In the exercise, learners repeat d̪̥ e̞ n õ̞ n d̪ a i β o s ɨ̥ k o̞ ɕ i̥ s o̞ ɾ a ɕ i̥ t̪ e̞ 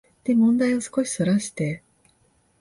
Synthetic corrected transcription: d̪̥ e̞ m õ̞ n d̪ a i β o s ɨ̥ k o̞ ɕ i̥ s o̞ ɾ a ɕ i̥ t̪ e̞